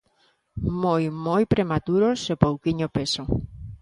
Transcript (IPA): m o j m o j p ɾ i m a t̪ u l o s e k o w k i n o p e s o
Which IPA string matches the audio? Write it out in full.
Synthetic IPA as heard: m o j m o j p ɾ e m a t̪ u ɾ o s e p o w k i ɲ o p e s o